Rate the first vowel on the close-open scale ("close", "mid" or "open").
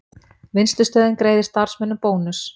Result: close